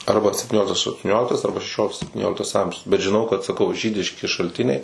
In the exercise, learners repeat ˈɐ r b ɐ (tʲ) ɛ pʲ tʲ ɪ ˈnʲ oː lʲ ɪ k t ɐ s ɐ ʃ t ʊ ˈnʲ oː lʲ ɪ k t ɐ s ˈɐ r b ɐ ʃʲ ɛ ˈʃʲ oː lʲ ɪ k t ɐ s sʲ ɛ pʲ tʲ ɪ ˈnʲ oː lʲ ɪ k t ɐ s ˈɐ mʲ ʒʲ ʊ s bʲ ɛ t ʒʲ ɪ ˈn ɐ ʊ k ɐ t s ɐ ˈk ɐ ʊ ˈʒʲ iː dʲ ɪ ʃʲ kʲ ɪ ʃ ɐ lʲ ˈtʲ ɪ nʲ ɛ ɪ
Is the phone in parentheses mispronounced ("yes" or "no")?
yes